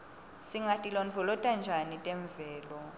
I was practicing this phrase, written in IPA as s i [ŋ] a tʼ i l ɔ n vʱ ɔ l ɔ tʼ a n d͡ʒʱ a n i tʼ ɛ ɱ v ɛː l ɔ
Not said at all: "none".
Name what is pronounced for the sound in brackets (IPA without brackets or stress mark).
ŋ